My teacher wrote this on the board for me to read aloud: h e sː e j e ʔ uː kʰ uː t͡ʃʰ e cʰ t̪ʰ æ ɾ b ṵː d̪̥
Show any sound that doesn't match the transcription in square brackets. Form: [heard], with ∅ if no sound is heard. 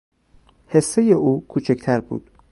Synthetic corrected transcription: h e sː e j e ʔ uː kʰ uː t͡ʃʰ e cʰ t̪ʰ æ ɾ b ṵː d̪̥